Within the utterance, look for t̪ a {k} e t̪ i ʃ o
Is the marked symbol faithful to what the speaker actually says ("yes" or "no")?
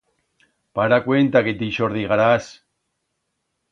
yes